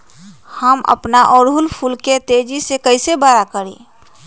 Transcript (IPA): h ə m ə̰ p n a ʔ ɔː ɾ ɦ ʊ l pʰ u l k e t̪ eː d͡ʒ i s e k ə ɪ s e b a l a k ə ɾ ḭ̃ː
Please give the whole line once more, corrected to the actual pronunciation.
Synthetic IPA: h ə m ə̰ p n a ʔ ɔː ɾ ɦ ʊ l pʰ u l k e t̪ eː d͡ʒ i s e k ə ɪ s e b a ɾ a k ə ɾ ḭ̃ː